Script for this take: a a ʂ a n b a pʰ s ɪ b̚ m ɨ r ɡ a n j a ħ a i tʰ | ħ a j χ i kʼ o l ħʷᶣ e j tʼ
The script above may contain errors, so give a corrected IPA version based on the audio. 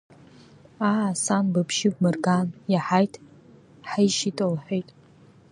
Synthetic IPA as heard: a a s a n b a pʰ ʃ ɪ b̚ m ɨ r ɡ a n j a ħ a j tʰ | ħ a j ʃ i tʼ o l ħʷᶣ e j tʼ